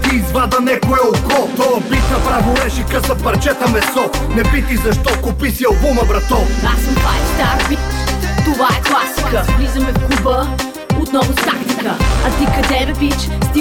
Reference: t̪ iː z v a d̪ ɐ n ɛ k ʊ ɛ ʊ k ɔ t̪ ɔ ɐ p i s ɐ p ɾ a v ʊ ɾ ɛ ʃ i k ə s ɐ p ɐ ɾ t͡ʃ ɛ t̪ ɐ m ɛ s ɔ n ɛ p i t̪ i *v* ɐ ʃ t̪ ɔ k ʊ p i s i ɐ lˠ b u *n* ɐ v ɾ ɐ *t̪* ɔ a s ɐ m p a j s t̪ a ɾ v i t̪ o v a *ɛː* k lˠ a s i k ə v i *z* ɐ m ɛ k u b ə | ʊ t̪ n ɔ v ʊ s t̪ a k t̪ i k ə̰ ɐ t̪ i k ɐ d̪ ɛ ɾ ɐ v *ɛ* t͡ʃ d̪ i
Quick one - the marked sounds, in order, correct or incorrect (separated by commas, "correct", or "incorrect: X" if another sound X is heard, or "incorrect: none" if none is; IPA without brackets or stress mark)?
incorrect: z, incorrect: m, correct, incorrect: ɛ, correct, incorrect: i